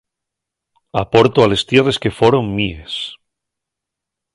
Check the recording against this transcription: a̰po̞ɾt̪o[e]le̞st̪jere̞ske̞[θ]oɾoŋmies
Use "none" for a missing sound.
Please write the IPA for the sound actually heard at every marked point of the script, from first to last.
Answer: a, f

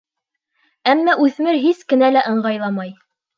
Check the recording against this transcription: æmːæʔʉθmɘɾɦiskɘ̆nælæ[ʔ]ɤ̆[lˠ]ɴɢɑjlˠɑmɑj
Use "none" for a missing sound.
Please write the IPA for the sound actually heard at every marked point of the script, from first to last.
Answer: ʔ, none

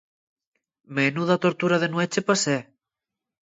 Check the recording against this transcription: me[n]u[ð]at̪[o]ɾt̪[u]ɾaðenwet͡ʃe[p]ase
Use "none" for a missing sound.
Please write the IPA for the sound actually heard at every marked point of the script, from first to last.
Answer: n, ð, o, u, p

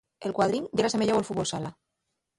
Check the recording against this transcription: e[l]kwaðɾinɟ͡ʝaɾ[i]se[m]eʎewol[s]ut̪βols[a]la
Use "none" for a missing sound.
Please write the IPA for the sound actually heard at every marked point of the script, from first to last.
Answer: l, a, m, f, a

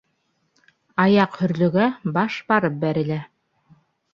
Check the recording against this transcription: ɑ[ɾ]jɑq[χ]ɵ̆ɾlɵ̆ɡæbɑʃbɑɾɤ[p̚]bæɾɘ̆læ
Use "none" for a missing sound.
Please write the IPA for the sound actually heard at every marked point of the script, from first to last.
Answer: none, h, p̚

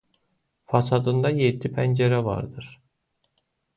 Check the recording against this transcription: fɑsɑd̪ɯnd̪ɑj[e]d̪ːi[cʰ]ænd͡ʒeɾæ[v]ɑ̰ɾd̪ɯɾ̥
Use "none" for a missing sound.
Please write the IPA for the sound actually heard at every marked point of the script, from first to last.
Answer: e, pʰ, v

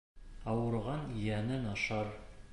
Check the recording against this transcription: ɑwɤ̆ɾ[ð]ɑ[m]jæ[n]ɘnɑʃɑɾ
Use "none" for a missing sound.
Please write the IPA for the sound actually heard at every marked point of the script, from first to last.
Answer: ʁ, n, n

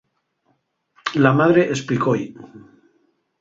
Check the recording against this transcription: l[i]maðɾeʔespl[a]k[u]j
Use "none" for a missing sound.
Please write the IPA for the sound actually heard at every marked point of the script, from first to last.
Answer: a, i, o

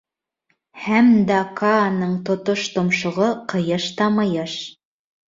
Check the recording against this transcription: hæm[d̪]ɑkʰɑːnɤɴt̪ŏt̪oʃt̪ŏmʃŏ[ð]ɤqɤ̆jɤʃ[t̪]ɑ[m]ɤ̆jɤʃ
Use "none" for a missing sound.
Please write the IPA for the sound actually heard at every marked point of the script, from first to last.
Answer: d̪, ʁ, t̪, m

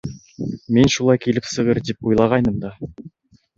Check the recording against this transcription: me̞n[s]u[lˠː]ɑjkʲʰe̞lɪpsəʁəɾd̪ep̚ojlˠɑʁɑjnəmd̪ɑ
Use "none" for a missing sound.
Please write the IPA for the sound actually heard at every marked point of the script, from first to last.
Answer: ʃ, lˠ

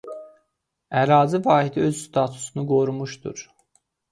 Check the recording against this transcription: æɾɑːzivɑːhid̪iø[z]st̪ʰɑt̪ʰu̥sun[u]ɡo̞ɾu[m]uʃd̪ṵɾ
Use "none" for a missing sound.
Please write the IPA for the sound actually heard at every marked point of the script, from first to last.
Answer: z, u, m

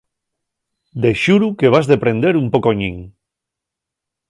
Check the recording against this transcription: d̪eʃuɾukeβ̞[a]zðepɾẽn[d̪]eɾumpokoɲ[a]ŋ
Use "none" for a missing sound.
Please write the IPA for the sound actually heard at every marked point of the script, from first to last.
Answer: a, d̪, i

